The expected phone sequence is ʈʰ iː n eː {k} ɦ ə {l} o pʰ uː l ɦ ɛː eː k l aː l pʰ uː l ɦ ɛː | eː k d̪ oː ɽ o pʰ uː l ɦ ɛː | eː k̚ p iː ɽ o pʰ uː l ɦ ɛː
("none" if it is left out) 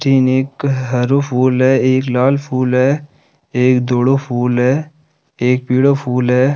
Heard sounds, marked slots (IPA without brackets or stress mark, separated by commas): k, ɾ